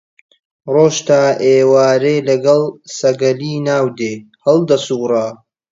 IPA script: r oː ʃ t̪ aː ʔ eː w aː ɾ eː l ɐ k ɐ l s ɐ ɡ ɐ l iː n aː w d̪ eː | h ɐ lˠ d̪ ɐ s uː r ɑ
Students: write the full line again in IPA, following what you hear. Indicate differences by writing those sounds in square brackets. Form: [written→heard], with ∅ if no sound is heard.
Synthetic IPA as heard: r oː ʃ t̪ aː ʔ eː w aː ɾ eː l ɐ [k→ɡ] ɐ l s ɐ ɡ ɐ l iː n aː w d̪ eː | h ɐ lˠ d̪ ɐ s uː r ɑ